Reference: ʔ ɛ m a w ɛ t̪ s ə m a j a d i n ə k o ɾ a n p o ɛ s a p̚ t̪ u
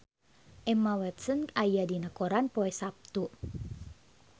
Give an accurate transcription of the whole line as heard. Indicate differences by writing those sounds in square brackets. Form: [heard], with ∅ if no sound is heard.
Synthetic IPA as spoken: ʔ ɛ m a w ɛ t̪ s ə [n] a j a d i n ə k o ɾ a n p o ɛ s a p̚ t̪ u